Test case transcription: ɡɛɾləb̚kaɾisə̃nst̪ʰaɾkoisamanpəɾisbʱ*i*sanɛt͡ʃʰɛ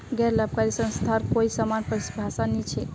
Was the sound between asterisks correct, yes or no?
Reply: no